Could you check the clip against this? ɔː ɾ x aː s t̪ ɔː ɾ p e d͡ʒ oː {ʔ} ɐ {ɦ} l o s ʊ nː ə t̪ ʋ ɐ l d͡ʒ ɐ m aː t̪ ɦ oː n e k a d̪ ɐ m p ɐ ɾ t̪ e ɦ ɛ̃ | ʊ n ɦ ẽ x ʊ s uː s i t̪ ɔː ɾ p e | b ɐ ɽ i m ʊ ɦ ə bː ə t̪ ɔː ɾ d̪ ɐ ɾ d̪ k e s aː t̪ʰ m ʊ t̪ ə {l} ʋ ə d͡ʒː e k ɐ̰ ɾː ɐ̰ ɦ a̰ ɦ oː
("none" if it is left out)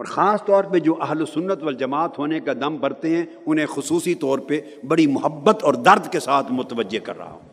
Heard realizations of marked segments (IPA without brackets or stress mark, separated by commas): ʔ, ɦ, none